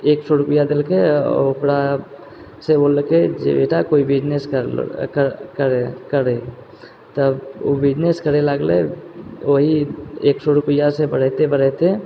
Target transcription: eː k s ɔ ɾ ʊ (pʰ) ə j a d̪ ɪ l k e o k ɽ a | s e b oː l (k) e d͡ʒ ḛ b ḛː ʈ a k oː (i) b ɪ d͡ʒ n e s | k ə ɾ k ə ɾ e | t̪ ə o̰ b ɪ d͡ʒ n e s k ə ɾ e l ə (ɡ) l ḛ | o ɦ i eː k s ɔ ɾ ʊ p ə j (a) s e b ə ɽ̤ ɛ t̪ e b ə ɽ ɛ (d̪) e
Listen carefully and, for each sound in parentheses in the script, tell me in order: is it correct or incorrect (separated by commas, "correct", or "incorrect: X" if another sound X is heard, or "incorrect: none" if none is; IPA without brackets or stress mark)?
incorrect: p, correct, correct, correct, correct, incorrect: t̪